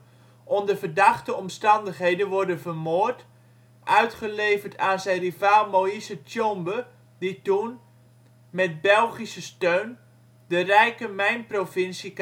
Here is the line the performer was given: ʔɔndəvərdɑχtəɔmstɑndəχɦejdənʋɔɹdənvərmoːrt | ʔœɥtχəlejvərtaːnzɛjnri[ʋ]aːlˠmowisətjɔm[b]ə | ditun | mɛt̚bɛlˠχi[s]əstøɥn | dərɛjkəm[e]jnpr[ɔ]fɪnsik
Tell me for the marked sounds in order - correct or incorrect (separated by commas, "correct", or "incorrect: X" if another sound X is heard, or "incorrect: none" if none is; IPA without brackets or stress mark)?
incorrect: v, correct, correct, incorrect: ɛ, incorrect: o